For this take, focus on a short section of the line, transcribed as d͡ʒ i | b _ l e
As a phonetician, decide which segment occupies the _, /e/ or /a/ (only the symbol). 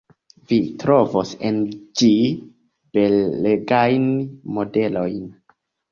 e